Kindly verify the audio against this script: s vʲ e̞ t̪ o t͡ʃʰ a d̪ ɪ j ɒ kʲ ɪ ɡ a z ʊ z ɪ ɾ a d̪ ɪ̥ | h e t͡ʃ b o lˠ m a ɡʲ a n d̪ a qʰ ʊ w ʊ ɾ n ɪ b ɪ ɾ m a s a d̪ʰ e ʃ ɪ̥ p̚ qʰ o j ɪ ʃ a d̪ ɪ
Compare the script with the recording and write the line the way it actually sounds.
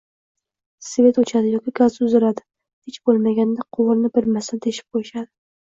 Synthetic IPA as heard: s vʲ e̞ t̪ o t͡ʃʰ a d̪ ɪ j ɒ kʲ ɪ ɡ a z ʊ z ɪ ɾ a d̪ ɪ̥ | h e t͡ʃ b o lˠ m a ɡʲ a n d̪ a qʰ ʊ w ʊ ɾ n ɪ b ɪ ɾ m a s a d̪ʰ e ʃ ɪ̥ p̚ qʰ o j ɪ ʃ a d̪ ɪ